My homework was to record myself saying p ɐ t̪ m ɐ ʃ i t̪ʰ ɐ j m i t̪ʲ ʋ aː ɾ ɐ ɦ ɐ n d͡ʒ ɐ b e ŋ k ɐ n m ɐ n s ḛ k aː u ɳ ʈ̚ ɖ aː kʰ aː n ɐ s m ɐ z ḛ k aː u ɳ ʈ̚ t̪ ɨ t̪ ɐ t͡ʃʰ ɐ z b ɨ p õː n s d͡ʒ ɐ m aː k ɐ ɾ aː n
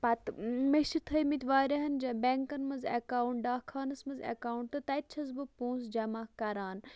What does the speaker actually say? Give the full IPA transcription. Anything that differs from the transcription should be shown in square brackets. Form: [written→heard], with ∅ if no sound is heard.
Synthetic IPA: p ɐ t̪ m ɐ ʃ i t̪ʰ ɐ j m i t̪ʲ ʋ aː ɾ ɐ ɦ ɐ n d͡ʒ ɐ b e ŋ k ɐ n m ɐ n [s→z] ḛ k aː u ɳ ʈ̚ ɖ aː kʰ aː n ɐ s m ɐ z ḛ k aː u ɳ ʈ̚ t̪ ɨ t̪ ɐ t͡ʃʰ ɐ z b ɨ p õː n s d͡ʒ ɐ m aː k ɐ ɾ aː n